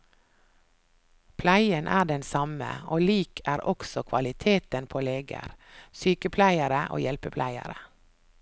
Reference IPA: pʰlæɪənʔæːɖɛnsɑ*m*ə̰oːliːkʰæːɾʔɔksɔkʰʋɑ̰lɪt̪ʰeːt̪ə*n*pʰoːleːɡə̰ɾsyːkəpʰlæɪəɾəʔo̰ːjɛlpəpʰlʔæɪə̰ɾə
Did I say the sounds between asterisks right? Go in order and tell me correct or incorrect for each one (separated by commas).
correct, correct